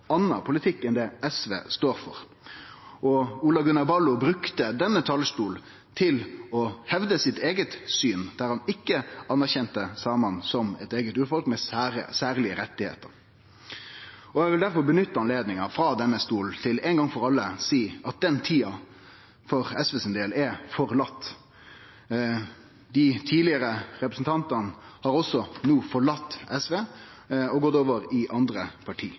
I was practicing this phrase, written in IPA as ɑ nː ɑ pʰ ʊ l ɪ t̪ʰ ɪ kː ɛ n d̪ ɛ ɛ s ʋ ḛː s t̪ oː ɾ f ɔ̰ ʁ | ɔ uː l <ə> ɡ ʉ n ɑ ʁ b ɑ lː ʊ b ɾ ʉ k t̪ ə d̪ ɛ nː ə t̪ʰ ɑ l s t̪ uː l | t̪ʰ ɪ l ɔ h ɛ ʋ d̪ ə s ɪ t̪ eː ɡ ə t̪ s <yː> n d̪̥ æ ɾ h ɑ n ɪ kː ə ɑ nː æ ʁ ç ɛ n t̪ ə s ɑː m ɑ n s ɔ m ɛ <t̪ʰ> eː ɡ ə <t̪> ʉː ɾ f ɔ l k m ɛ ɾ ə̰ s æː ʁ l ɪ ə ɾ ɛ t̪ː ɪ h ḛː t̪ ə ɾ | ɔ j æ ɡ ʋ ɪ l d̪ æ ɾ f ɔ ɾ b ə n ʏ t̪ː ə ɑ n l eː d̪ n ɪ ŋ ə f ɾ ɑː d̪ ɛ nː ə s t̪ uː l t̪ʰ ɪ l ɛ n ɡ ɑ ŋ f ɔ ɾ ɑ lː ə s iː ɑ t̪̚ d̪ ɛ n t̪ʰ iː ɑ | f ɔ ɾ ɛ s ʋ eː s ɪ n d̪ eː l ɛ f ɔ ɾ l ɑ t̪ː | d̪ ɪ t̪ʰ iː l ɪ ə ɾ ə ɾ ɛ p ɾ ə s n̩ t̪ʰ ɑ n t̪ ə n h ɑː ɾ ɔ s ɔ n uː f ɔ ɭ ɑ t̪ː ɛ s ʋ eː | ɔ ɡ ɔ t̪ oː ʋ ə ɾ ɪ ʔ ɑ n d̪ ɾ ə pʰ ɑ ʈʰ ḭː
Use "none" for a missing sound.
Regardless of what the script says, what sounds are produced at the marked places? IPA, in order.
ɑ, yː, t̪, t̪

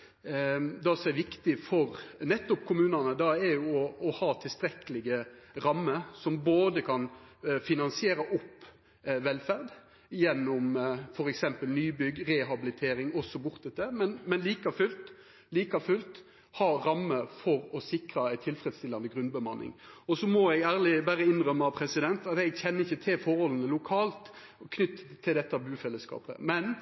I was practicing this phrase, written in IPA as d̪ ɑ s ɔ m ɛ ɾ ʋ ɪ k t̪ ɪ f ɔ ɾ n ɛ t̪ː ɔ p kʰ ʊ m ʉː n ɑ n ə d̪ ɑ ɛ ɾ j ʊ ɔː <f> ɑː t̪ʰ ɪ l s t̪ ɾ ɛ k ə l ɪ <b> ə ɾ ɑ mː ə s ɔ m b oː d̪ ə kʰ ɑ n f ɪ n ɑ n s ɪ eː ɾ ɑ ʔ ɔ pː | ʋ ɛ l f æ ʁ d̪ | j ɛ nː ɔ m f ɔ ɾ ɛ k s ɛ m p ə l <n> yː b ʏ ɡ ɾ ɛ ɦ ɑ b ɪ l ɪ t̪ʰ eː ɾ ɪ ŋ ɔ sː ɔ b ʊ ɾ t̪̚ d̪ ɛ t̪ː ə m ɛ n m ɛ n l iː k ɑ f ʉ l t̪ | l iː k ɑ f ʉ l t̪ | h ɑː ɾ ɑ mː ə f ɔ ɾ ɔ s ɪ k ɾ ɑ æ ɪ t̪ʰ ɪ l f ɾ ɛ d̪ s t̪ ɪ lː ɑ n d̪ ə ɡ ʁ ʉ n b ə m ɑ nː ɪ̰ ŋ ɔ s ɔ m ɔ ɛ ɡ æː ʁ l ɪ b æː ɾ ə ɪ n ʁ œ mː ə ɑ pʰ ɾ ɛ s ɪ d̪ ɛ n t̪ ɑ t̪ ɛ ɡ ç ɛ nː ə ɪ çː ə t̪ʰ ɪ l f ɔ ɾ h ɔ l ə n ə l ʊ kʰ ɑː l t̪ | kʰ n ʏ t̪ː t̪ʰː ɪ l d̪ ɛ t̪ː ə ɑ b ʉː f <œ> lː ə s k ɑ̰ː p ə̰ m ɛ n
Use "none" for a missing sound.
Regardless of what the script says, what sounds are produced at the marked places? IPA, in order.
h, ɡ, n, ɛ

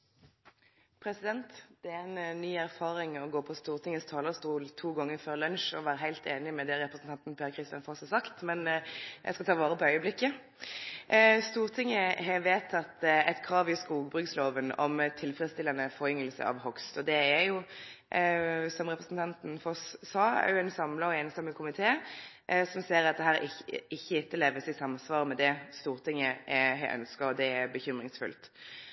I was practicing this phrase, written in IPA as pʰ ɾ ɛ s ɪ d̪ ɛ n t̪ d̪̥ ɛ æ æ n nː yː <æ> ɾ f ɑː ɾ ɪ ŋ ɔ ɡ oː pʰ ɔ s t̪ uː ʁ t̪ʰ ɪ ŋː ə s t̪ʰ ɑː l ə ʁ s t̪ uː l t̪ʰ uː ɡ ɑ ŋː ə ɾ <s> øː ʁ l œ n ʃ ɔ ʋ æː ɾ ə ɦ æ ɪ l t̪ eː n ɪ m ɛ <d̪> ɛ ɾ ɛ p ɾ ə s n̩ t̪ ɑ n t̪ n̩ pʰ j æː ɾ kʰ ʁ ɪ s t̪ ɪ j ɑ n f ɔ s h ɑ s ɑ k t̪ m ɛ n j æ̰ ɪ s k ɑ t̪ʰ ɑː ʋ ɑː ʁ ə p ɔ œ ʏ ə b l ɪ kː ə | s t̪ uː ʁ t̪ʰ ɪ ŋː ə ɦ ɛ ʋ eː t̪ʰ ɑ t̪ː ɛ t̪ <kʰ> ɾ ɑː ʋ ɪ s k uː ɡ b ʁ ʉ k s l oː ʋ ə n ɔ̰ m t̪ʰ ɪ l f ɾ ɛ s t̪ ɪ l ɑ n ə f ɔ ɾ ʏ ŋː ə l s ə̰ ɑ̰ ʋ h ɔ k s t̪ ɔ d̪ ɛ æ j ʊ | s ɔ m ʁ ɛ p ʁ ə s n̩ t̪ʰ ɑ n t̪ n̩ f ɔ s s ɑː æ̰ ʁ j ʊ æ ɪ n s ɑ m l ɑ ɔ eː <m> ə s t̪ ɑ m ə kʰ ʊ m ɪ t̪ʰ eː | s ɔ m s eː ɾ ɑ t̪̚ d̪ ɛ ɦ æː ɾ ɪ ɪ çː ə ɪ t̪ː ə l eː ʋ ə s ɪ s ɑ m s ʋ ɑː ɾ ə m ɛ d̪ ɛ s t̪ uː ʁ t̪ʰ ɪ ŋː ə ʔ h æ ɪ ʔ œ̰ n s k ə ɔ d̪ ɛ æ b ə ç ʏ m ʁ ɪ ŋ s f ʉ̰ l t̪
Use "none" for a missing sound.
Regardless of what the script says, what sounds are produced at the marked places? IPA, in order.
æ, f, d̪, kʰ, n

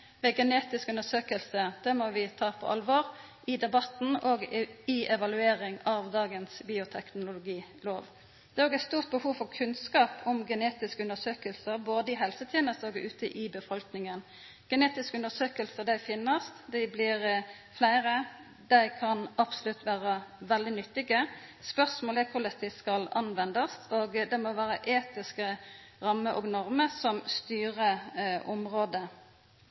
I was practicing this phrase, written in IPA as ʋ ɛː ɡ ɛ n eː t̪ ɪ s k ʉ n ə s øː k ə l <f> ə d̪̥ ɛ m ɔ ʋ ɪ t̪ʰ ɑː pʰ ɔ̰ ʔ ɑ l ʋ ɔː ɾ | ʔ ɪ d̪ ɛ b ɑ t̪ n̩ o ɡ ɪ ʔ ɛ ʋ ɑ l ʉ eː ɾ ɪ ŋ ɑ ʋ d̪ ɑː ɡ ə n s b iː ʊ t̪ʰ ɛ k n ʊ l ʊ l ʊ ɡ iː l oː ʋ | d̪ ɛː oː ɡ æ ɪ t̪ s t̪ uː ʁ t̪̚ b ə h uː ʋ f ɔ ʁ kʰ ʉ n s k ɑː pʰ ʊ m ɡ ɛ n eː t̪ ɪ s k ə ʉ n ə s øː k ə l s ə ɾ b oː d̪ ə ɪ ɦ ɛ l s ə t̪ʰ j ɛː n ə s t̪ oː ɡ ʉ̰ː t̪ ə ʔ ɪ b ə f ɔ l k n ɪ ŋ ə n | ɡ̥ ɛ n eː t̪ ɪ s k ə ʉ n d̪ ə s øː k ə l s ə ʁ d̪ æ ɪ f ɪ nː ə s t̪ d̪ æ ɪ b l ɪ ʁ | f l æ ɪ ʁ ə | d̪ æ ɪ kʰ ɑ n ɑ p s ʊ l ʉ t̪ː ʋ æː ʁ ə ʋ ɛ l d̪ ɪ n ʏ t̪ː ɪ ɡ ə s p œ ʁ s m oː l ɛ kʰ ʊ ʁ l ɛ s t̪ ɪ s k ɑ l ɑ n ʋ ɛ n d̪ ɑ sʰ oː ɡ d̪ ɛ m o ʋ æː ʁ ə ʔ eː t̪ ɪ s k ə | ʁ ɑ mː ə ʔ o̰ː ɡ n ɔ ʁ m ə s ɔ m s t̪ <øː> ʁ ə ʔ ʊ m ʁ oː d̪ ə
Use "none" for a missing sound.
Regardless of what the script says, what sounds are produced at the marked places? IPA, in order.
s, yː

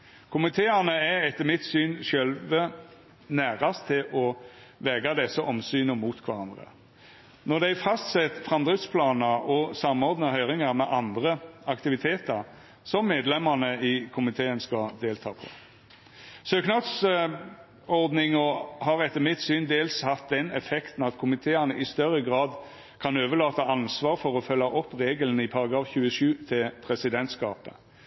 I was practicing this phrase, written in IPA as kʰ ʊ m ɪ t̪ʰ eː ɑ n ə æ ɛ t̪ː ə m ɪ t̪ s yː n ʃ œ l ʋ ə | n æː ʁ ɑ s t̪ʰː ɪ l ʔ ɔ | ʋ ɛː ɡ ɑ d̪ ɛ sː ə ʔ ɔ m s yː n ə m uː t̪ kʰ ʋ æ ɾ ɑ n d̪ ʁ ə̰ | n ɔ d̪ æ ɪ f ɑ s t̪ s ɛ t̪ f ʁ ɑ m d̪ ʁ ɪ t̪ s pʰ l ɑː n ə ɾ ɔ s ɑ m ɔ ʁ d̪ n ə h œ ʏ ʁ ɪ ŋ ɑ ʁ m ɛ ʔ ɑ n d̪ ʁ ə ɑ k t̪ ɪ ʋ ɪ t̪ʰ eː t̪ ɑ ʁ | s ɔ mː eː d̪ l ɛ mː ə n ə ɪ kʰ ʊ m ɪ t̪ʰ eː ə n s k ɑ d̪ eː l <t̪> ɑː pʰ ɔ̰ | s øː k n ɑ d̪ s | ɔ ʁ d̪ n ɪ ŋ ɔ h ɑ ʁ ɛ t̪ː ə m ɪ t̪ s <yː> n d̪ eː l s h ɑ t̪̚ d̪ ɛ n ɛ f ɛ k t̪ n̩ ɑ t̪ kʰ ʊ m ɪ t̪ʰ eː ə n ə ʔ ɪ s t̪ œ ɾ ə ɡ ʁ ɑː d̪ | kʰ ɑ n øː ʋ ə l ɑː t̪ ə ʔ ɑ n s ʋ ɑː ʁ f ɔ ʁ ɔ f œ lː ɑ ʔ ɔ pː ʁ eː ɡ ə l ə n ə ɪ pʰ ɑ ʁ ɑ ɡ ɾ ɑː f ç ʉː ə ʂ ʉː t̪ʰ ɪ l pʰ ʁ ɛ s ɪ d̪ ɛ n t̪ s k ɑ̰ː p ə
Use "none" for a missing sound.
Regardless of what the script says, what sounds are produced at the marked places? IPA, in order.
t̪ʰ, yː

